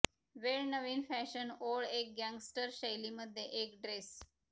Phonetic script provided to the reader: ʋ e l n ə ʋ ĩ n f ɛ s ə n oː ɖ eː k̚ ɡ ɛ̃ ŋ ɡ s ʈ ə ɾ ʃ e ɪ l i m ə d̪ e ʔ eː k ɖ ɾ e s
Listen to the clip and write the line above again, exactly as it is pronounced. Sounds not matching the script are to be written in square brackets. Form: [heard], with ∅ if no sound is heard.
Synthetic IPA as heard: ʋ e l n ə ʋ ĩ n f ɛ [ʃ] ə n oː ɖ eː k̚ ɡ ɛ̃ ŋ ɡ s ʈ ə ɾ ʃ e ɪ l i m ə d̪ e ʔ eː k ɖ ɾ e s